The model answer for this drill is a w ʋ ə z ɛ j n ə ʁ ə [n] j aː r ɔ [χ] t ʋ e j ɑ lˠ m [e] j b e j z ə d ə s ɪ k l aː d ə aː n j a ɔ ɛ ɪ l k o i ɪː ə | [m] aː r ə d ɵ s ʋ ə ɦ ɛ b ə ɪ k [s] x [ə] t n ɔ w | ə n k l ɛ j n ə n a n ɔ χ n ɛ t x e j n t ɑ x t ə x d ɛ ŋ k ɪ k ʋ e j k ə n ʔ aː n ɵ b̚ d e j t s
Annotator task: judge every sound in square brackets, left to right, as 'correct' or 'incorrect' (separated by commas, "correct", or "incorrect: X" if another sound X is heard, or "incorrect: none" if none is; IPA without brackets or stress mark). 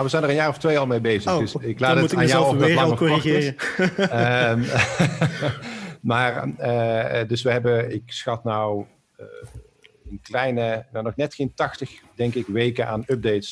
correct, incorrect: f, correct, correct, correct, incorrect: ɑ